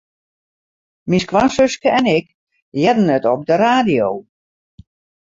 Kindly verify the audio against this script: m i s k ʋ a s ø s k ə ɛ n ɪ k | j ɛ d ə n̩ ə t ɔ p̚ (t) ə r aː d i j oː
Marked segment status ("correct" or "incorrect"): incorrect